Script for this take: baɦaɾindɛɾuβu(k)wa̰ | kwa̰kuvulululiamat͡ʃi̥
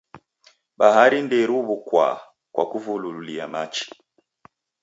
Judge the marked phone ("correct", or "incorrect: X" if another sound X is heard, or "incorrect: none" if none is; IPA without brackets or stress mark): correct